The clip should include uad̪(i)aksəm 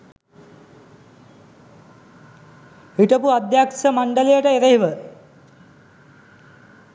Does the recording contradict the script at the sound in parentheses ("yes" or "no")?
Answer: yes